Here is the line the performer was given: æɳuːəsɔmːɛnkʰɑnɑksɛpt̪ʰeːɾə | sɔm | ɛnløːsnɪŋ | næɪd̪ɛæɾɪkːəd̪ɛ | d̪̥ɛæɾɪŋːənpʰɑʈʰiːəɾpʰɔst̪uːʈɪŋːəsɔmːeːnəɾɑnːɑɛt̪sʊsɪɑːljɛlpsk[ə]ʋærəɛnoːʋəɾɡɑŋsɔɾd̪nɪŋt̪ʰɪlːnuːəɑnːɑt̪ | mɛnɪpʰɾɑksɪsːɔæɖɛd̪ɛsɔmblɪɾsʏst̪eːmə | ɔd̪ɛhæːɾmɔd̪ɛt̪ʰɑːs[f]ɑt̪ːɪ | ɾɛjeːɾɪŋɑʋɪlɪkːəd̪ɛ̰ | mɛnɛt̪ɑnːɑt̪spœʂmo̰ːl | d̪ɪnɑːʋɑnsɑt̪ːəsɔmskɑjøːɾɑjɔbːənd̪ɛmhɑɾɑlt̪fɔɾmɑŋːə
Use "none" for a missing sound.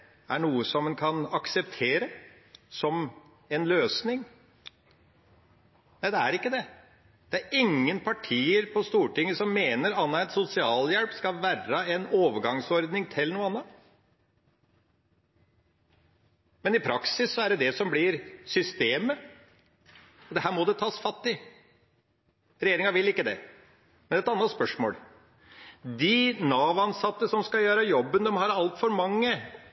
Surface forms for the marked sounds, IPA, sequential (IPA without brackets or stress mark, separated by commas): ɑ, f